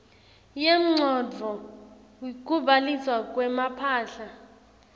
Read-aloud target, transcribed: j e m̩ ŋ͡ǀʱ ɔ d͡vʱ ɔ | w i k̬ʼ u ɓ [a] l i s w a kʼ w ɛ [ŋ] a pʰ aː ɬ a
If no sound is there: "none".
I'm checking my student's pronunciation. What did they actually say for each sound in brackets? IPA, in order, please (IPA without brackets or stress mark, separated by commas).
a, m